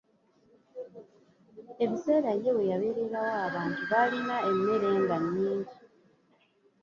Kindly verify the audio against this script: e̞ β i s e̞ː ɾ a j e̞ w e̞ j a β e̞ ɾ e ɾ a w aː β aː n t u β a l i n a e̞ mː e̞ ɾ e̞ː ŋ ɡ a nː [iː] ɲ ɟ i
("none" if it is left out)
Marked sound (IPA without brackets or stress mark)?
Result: iː